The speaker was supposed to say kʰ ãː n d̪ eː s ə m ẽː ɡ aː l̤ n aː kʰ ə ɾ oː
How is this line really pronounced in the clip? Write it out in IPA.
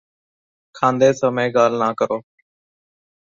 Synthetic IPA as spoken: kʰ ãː n d̪ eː s ə m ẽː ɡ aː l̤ n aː k ə ɾ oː